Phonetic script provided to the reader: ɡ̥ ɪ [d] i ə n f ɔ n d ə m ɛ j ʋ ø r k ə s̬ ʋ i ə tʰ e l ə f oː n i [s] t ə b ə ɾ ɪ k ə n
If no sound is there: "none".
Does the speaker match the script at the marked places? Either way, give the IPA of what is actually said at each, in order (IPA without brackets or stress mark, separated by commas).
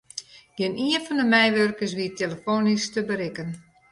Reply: n, s